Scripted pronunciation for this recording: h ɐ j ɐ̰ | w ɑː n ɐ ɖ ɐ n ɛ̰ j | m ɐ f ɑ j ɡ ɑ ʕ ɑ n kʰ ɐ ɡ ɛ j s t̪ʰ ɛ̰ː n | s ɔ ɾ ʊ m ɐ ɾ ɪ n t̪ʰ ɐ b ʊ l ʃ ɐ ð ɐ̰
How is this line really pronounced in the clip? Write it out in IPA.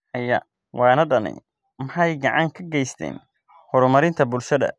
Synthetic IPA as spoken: h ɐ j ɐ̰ | w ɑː n ɐ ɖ ɐ n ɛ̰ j | m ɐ ħ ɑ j ɡ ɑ ʕ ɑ ŋ kʰ ɐ ɡ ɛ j s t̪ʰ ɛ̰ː n | h ɔ ɾ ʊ m ɐ ɾ ɪ n t̪ʰ ɐ b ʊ l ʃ ɐ ð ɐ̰